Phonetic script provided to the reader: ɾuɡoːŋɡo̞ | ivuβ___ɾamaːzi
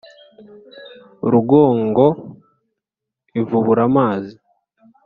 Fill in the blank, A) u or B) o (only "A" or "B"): A